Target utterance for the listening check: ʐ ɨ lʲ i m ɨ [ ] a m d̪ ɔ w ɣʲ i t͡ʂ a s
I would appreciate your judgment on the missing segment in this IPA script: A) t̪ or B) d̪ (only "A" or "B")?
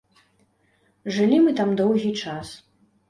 A